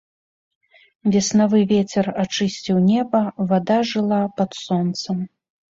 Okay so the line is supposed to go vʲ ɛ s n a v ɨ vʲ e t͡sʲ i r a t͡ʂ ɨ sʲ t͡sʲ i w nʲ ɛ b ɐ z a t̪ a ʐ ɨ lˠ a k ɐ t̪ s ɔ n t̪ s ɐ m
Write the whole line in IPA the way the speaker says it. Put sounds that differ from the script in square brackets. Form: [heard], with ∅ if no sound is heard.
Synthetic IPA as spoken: vʲ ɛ s n a v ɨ vʲ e t͡sʲ [ɛ] r a t͡ʂ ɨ sʲ t͡sʲ i w nʲ ɛ b ɐ [v] a [d̪] a ʐ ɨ lˠ a [p] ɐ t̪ s ɔ n t̪ s ɐ m